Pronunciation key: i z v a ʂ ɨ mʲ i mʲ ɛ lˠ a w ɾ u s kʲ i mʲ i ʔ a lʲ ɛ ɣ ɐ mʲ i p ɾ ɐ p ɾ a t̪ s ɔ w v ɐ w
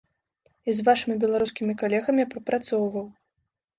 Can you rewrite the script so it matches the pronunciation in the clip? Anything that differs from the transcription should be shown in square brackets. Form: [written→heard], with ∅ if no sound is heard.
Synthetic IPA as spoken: i z v a ʂ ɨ mʲ i [mʲ→bʲ] ɛ lˠ a [w→∅] ɾ u s kʲ i mʲ i [ʔ→k] a lʲ ɛ ɣ ɐ mʲ i p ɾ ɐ p ɾ a t̪ s ɔ w v ɐ w